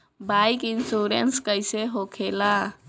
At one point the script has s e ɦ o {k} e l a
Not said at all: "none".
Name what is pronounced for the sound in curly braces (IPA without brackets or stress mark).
kʰ